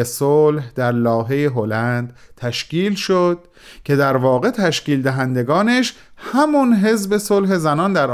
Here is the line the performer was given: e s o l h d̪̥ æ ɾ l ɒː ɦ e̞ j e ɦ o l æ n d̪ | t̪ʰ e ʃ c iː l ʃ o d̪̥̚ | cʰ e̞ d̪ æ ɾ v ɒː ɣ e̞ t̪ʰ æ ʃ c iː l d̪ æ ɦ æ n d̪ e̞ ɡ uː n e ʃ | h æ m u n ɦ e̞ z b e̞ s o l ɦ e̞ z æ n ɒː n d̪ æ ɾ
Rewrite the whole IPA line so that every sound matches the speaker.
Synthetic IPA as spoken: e s o l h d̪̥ æ ɾ l ɒː ɦ e̞ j e ɦ o l æ n d̪ | t̪ʰ æ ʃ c iː l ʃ o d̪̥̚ | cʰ e̞ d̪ æ ɾ v ɒː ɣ e̞ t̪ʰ æ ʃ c iː l d̪ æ ɦ æ n d̪ e̞ ɡ ɒː n e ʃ | h æ m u n ɦ e̞ z b e̞ s o l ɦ e̞ z æ n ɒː n d̪ æ ɾ